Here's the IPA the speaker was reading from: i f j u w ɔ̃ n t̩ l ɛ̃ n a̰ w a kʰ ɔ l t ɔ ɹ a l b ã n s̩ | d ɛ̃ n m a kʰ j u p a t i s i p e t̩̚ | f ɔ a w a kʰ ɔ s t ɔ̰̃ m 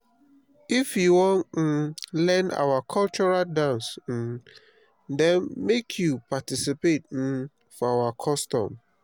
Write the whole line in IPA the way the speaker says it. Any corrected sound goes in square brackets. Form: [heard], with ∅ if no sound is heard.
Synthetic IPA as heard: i f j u w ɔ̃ n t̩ l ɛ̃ n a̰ w a kʰ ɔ l [t͡ʃ] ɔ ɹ a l [d] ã n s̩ | d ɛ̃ n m [e] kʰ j u p a t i s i p e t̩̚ | f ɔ a w a kʰ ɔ s t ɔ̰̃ m